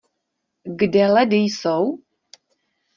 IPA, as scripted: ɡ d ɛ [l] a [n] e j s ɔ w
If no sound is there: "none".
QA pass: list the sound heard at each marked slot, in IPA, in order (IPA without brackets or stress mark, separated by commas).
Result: l, d